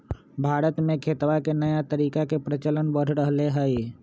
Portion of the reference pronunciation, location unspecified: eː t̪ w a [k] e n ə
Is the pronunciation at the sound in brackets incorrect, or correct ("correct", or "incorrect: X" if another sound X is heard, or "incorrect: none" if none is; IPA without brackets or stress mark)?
correct